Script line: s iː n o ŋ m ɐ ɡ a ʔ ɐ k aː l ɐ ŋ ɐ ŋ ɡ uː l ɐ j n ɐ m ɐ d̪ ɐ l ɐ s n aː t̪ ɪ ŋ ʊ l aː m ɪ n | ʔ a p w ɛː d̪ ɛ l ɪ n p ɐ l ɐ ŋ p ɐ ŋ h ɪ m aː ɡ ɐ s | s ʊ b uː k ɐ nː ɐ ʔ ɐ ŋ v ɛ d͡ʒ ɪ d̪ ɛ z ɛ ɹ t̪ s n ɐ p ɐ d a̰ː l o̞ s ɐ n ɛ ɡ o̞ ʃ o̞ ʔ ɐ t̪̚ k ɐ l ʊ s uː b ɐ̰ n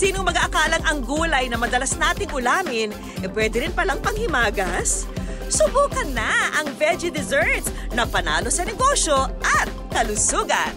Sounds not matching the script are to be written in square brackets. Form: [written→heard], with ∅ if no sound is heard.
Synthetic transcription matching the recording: s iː n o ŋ m ɐ ɡ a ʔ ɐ k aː l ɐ ŋ ɐ ŋ ɡ uː l ɐ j n ɐ m ɐ d̪ ɐ l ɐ s n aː t̪ ɪ ŋ ʊ l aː m ɪ n | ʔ [a→ɛ] p w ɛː d̪ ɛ [l→ɾ] ɪ n p ɐ l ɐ ŋ p ɐ ŋ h ɪ m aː ɡ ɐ s | s ʊ b uː k ɐ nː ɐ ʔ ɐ ŋ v ɛ d͡ʒ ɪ d̪ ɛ z ɛ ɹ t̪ s n ɐ p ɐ [d→n] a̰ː l o̞ s ɐ n ɛ ɡ o̞ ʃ o̞ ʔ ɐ t̪̚ k ɐ l ʊ s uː [b→ɡ] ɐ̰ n